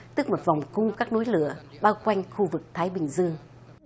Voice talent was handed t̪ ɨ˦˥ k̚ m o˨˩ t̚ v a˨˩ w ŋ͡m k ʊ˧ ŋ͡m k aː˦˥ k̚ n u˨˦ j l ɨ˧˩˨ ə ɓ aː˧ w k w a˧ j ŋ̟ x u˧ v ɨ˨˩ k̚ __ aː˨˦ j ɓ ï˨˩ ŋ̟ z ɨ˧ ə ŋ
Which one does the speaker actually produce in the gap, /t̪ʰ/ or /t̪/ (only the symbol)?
t̪ʰ